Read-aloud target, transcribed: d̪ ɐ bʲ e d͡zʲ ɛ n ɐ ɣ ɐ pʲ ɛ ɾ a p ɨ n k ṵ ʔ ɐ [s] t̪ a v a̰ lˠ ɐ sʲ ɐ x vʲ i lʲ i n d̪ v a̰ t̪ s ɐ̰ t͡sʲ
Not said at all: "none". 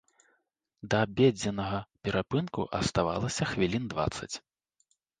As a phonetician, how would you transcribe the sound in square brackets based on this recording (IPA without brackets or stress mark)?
s